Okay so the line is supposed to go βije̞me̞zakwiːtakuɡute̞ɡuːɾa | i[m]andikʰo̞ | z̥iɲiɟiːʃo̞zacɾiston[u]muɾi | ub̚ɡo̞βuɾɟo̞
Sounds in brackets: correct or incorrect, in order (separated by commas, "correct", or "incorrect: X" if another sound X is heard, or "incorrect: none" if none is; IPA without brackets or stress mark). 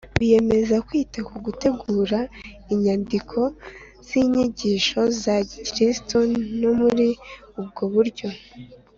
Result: incorrect: ɲ, incorrect: o